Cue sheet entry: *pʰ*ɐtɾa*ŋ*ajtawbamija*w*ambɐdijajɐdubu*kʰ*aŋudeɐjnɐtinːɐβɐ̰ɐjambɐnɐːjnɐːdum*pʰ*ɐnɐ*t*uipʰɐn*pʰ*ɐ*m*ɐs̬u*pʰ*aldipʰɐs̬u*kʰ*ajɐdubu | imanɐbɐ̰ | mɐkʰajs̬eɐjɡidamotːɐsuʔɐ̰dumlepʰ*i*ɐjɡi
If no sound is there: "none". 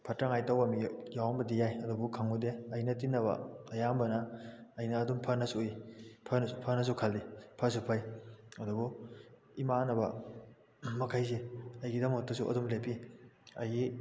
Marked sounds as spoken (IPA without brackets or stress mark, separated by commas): pʰ, ŋ, w, kʰ, pʰ, s, pʰ, n, kʰ, pʰ, i